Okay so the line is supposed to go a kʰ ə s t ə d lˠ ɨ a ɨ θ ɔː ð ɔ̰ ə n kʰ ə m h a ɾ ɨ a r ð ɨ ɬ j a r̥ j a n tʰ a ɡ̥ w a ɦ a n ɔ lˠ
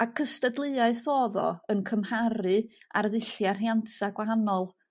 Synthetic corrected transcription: a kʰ ə s t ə d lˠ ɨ a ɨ θ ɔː ð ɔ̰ ə n kʰ ə m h a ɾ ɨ a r ð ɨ ɬ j a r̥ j a n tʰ a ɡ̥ w a ɦ a n ɔ lˠ